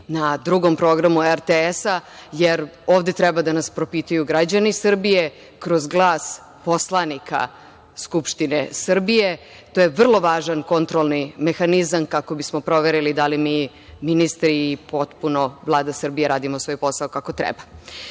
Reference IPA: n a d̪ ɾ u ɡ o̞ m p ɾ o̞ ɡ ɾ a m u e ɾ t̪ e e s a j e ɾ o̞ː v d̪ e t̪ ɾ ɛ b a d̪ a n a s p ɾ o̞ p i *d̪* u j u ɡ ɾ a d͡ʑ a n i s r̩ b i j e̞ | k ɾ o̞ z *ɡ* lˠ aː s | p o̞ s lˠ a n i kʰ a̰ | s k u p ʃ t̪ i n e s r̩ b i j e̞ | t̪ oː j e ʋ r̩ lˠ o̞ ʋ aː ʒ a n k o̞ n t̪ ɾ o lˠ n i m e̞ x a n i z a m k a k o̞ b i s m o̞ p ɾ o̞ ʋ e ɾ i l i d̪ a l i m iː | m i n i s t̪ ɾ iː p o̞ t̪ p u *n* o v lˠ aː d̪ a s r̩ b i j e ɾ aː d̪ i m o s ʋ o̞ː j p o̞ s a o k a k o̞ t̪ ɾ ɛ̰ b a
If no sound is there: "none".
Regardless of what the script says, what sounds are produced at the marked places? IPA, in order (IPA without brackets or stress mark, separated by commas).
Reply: t̪, ɡ, n